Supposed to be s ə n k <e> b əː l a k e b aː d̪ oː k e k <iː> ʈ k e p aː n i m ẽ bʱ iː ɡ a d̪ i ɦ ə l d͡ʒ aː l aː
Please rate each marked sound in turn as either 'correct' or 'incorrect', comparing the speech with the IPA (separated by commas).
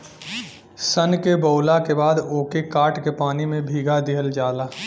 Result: correct, incorrect